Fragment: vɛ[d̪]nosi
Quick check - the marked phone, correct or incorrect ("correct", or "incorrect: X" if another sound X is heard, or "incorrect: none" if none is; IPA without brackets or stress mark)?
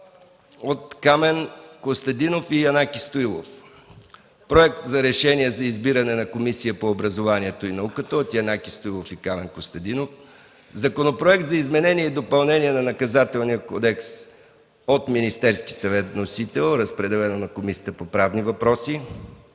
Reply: incorrect: t̪